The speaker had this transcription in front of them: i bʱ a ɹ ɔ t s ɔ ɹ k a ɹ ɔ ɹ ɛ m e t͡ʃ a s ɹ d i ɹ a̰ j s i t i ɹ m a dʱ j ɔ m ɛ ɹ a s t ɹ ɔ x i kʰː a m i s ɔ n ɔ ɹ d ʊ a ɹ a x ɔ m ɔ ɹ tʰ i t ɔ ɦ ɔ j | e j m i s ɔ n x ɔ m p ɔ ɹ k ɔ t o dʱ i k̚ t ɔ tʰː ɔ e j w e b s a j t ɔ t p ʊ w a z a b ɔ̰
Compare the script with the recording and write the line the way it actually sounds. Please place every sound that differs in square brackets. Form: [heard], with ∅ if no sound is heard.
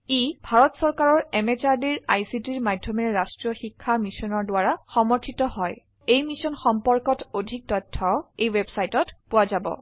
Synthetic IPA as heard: i bʱ a ɹ ɔ t s ɔ ɹ k a ɹ ɔ ɹ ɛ m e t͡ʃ a [∅] ɹ d i ɹ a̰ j s i t i ɹ m a dʱ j ɔ m ɛ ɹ a s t ɹ ɔ x i kʰː a m i s ɔ n ɔ ɹ d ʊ a ɹ a x ɔ m ɔ ɹ tʰ i t ɔ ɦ ɔ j | e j m i s ɔ n x ɔ m p ɔ ɹ k ɔ t o dʱ i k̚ t ɔ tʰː ɔ e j w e b s a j t ɔ t p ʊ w a z a b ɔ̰